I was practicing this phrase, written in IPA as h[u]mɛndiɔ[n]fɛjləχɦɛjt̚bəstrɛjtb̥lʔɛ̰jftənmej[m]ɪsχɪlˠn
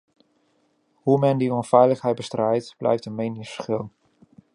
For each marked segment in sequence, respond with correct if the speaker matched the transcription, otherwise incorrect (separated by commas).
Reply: correct, correct, incorrect